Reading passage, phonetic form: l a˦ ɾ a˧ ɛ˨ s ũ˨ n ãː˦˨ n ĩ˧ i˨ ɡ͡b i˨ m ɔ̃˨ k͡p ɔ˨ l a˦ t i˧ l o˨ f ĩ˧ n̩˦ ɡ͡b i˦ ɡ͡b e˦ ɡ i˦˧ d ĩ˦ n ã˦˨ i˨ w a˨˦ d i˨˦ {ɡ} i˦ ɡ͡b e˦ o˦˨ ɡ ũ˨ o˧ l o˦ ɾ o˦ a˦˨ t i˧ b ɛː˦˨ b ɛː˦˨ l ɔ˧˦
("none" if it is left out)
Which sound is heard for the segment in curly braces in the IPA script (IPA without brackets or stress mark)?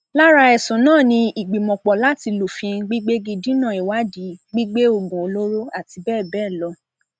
ɡ͡b